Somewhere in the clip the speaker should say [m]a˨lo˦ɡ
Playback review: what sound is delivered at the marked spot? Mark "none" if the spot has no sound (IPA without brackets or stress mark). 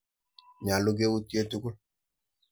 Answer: ɲ